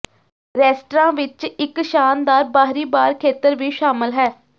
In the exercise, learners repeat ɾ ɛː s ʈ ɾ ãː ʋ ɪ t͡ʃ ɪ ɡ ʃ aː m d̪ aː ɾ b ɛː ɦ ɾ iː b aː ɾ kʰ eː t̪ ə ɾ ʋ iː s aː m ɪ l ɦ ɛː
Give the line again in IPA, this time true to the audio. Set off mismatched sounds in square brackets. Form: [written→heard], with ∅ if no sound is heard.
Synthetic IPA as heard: ɾ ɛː s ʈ ɾ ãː ʋ ɪ t͡ʃ ɪ [ɡ→k] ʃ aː [m→n] d̪ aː ɾ b [ɛː→aː] ɦ ɾ iː b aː ɾ kʰ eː t̪ ə ɾ ʋ iː [s→ʃ] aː m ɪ l ɦ ɛː

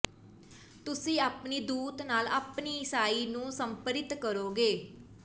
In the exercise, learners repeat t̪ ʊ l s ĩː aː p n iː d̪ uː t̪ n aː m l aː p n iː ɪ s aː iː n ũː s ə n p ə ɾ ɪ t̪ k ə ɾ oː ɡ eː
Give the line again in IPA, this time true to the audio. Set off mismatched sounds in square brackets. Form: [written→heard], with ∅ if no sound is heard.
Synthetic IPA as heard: t̪ ʊ [l→∅] s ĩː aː p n iː d̪ uː t̪ n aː [m→∅] l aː p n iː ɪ s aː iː n ũː s ə [n→m] p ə ɾ ɪ t̪ k ə ɾ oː ɡ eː

